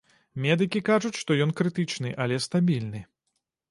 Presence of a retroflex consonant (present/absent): present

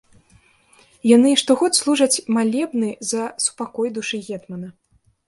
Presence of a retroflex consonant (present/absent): present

